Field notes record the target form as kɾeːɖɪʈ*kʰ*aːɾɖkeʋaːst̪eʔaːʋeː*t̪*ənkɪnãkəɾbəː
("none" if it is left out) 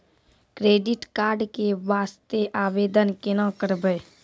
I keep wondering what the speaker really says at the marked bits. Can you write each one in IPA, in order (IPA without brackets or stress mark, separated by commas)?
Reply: k, d̪